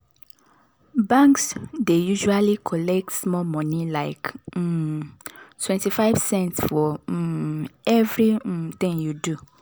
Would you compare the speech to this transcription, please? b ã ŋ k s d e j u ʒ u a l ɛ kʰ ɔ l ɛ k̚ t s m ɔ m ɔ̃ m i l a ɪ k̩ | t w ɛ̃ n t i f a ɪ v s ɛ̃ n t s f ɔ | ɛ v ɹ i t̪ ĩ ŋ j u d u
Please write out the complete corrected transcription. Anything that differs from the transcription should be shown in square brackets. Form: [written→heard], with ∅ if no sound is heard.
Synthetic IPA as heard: b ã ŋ k s d e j u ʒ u a l [ɛ→i] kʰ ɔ l ɛ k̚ t s m ɔ m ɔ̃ [m→n] i l a ɪ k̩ | t w ɛ̃ n t i f a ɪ v s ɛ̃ n t s f ɔ | ɛ v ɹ i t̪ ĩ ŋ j u d u